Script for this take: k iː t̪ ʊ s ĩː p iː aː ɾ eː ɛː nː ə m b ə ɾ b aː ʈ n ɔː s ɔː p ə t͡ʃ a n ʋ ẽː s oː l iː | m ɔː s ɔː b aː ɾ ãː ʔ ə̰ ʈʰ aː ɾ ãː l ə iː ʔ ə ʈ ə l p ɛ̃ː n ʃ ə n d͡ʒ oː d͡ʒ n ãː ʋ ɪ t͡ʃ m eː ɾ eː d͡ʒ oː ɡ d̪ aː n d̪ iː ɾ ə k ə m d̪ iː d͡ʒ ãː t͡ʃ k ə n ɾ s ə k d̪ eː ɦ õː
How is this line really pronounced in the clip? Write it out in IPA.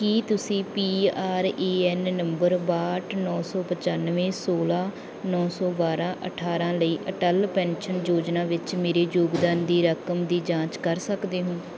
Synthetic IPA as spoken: k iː t̪ ʊ s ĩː p iː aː ɾ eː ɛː nː ə m b ə ɾ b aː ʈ n ɔː s ɔː p ə t͡ʃ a n ʋ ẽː s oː l aː | n ɔː s ɔː b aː ɾ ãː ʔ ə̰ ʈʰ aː ɾ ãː l ə iː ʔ ə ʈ ə l p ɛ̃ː n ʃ ə n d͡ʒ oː d͡ʒ n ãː ʋ ɪ t͡ʃ m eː ɾ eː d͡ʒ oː ɡ d̪ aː n d̪ iː ɾ ə k ə m d̪ iː d͡ʒ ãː t͡ʃ k ə ɾ s ə k d̪ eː ɦ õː